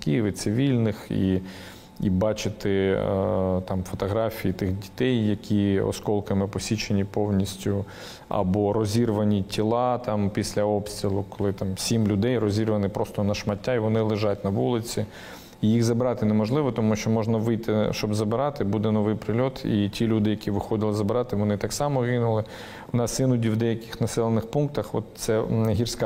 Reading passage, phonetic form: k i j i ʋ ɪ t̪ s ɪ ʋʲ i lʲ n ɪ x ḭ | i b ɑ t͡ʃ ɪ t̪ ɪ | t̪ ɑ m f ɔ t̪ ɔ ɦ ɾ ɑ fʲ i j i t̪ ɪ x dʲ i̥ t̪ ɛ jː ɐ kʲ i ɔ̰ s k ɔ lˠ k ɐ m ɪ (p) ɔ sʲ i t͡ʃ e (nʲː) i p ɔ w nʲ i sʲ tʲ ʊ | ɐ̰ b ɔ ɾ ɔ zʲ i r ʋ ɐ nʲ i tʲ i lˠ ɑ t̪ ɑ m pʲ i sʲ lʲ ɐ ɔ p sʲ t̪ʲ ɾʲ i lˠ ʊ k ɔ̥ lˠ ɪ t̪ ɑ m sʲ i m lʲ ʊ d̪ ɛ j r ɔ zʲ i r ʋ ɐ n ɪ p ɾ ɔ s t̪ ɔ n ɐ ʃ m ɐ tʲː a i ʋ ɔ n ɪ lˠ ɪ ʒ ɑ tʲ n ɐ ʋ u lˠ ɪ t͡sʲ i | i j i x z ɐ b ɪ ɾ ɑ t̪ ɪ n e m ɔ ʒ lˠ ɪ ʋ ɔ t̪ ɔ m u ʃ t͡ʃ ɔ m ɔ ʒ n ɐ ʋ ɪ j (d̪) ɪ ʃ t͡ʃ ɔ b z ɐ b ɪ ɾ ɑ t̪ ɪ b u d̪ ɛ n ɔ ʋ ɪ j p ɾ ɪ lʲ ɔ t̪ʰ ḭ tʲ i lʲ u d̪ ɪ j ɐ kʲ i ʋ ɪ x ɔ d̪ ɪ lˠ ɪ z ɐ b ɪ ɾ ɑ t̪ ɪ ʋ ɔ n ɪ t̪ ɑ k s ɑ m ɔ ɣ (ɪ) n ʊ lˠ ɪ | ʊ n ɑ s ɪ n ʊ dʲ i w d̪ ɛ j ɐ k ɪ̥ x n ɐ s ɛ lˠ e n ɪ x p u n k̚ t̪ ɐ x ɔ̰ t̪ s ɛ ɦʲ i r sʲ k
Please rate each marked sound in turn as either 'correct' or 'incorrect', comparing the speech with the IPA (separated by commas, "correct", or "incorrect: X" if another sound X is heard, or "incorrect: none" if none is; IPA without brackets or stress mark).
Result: correct, incorrect: nʲ, incorrect: t̪, correct